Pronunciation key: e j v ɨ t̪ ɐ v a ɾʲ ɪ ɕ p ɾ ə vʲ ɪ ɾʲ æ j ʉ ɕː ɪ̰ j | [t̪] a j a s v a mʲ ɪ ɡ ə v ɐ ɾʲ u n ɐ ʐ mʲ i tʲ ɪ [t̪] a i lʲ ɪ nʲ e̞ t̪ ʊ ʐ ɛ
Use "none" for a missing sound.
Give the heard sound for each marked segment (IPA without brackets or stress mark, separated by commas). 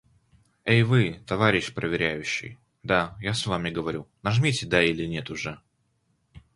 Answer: d̪, d̪